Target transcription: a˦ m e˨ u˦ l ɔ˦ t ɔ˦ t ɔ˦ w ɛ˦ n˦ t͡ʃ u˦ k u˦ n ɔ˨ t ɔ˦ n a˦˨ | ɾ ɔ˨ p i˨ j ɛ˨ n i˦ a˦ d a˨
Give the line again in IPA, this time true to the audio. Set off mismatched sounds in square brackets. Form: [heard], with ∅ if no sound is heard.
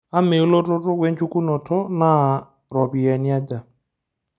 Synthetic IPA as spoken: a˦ m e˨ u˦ l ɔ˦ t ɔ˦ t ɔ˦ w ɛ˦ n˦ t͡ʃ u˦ k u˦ n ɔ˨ t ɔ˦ n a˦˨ | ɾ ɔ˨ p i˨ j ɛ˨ n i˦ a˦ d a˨